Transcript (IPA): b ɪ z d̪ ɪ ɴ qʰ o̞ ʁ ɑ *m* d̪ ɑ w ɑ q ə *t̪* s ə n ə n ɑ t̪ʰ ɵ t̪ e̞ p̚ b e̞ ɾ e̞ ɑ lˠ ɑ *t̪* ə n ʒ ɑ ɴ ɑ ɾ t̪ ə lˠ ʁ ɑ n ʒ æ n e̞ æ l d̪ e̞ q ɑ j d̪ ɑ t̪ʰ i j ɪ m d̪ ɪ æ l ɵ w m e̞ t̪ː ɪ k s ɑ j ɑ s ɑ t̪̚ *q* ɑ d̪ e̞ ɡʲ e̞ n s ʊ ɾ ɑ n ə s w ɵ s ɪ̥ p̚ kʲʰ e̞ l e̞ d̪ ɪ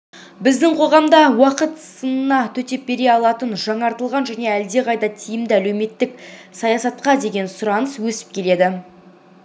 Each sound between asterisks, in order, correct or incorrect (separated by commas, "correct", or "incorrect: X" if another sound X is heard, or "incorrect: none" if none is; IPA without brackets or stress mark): correct, correct, correct, correct